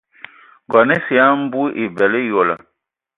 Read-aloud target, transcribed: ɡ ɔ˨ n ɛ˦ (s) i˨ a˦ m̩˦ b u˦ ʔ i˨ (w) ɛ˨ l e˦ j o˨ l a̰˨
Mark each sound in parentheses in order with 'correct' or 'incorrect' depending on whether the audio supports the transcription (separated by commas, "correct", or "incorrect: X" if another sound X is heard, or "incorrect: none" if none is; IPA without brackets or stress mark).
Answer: correct, incorrect: b